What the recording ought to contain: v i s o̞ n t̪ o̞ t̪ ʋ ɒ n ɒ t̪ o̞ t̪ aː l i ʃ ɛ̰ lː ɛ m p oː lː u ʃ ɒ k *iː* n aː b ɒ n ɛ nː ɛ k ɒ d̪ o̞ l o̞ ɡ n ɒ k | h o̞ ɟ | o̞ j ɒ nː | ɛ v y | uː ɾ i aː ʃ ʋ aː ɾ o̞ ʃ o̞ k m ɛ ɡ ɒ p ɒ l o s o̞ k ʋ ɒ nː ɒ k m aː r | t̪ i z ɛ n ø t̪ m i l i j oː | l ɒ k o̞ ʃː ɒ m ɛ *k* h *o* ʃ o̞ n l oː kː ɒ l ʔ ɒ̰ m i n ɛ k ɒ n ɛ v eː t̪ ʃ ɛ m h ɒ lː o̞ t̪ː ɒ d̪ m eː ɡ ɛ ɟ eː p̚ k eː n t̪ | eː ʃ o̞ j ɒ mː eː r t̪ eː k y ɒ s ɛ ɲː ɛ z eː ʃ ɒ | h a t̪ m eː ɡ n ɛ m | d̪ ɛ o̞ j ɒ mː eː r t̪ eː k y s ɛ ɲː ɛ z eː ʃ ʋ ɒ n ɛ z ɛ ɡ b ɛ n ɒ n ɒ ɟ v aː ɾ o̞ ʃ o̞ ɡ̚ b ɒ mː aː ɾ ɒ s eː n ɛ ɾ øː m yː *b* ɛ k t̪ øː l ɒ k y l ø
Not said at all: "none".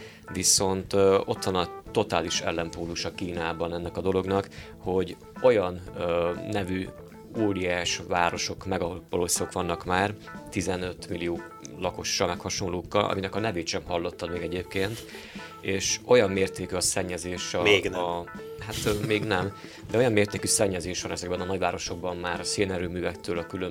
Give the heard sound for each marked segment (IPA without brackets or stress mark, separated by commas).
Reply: iː, k, ɒ, v